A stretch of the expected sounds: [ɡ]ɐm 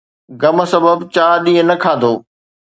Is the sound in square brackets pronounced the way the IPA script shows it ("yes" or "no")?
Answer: yes